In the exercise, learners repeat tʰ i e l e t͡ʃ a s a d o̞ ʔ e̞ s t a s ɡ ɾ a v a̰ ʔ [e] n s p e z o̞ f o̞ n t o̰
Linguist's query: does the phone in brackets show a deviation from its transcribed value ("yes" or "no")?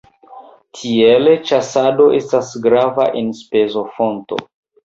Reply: no